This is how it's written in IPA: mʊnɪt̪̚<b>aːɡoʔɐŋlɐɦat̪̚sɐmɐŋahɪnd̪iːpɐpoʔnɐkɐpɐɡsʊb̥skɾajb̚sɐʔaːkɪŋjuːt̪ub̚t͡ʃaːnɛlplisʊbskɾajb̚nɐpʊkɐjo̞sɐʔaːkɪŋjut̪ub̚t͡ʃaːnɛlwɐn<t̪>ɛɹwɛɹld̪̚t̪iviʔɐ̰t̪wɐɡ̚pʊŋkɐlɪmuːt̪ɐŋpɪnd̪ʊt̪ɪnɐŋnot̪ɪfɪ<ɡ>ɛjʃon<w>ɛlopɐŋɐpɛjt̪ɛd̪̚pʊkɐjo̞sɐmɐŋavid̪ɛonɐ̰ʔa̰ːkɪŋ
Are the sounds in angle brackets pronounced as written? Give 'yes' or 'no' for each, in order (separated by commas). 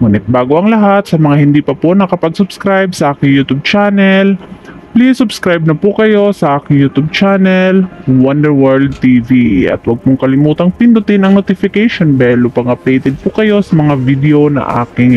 yes, no, no, no